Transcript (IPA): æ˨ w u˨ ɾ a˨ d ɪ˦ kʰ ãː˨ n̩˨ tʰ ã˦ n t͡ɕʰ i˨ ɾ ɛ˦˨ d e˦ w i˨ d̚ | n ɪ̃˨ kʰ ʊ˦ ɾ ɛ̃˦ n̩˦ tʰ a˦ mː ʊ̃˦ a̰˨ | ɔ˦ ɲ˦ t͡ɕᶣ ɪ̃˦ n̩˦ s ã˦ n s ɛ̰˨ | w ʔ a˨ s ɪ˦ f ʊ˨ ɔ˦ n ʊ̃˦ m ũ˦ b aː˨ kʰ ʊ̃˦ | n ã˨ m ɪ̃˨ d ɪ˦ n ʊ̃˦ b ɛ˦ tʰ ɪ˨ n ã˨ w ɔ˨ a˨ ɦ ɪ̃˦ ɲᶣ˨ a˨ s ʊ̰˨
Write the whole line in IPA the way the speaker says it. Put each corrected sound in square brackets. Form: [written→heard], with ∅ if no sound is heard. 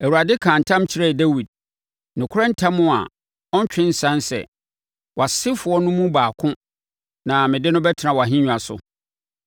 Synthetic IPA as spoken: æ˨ w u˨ ɾ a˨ d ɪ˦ kʰ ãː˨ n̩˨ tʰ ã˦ [n→m] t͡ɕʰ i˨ ɾ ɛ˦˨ d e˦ w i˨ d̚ | n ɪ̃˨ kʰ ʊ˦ ɾ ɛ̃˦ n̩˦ tʰ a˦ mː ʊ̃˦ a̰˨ | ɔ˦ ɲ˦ t͡ɕᶣ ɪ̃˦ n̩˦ s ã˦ n s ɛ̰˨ | w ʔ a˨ s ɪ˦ f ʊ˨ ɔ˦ n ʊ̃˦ m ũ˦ b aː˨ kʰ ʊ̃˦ | n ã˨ m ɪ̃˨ d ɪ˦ n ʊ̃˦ b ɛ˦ tʰ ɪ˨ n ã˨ w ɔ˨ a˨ ɦ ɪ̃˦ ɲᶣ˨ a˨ s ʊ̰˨

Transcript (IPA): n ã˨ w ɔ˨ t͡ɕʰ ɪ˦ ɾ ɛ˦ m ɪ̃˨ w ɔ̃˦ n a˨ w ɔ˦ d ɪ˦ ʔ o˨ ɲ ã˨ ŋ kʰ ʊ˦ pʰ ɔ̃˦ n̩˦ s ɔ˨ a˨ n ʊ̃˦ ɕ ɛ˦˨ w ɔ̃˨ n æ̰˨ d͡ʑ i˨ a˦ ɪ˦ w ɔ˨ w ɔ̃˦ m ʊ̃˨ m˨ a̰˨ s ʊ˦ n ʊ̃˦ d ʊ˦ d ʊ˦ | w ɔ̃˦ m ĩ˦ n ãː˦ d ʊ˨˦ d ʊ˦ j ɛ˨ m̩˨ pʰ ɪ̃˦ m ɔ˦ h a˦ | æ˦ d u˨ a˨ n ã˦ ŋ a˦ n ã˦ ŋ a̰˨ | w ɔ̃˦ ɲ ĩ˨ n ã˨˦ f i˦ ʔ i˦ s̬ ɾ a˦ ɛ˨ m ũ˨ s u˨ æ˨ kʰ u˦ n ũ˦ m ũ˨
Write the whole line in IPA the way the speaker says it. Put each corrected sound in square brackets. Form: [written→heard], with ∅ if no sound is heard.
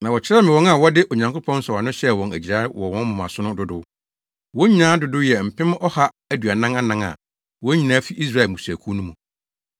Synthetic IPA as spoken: n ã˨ w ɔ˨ t͡ɕʰ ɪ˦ ɾ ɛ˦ m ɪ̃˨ w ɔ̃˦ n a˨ w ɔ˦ d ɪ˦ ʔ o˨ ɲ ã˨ ŋ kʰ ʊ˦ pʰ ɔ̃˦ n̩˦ s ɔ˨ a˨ n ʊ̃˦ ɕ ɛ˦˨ w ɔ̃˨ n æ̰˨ d͡ʑ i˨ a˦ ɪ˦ w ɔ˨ w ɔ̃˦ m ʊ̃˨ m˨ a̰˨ s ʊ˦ n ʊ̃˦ d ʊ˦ d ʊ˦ | w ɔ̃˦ [m→ɲ] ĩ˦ n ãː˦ d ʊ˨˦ d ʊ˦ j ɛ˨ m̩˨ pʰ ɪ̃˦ m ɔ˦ h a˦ | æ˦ d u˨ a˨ n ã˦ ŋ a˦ n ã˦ ŋ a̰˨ | w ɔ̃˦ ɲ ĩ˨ n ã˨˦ f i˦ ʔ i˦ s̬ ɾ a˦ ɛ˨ m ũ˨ s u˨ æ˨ kʰ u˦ n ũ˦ m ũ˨

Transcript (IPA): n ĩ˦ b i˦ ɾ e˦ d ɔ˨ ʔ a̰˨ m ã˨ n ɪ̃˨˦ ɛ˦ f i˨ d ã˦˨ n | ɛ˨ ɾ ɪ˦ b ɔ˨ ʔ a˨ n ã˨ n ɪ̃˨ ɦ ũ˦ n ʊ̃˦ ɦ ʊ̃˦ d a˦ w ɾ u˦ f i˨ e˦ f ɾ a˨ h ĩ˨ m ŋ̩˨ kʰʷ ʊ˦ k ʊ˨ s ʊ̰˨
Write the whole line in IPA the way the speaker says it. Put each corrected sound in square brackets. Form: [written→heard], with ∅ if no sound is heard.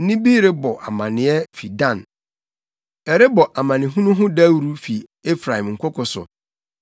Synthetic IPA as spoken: n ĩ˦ b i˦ ɾ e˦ [d→b] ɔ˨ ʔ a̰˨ m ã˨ n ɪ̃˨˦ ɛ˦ f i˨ d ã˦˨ n | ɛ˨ ɾ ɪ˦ b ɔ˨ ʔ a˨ [n→m] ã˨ n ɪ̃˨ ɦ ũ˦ n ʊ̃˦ ɦ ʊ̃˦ d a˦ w ɾ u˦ f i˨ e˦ f ɾ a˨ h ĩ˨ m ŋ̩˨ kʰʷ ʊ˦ k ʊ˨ s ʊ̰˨

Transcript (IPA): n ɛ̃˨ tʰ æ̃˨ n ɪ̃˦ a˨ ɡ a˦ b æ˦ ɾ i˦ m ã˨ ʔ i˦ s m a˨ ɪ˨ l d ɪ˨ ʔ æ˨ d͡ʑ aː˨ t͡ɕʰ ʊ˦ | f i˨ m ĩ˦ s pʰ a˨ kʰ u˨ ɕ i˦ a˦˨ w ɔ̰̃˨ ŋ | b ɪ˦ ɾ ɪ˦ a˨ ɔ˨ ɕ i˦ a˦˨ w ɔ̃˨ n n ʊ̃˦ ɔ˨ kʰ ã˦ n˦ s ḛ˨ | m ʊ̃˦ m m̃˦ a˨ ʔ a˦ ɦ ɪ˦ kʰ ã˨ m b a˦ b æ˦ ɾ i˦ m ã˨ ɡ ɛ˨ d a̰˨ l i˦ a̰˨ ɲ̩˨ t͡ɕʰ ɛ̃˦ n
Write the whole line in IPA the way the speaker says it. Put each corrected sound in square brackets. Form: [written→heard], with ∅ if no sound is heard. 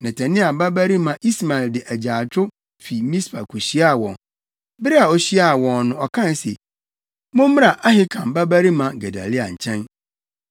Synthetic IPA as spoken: n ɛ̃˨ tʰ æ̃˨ n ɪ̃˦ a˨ [ɡ→b] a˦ b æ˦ ɾ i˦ m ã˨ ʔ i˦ s m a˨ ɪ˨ l d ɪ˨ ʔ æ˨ d͡ʑ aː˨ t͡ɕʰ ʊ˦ | f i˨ m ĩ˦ s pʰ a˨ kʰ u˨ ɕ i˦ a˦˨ w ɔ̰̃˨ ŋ | b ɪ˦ ɾ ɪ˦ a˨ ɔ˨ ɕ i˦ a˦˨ w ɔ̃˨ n n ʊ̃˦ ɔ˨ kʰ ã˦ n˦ s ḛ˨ | m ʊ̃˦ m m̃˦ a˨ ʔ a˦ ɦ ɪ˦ kʰ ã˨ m b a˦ b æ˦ ɾ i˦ m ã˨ ɡ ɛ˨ d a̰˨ l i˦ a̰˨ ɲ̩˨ t͡ɕʰ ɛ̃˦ n

